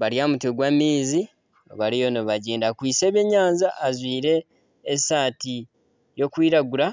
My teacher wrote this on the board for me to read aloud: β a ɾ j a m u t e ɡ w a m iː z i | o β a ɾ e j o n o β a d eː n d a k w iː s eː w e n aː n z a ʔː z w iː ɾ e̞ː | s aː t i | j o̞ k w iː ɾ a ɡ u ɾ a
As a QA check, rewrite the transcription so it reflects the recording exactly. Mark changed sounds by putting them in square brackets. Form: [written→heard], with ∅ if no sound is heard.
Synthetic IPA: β a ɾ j a m u t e ɡ w a m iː z i | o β a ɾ [e→i] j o n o β a [d→ɟ] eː n d a k w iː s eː [w→β] e [n→ɲ] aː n z a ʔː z w iː ɾ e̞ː | s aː t i | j o̞ k w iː ɾ a ɡ u ɾ a